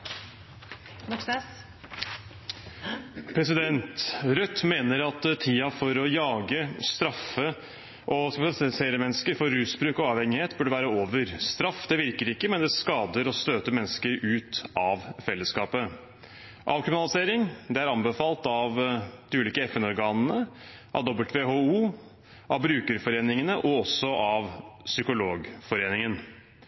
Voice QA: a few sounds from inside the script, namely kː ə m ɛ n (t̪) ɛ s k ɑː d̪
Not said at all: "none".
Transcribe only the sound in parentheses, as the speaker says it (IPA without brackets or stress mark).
d̪